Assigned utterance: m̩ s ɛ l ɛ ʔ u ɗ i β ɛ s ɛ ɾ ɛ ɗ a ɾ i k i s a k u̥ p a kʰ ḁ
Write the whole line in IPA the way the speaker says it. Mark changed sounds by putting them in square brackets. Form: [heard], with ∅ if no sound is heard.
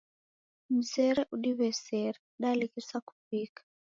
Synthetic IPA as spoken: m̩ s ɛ [ɾ] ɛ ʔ u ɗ i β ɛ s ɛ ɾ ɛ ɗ a [l] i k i s a k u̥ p [i] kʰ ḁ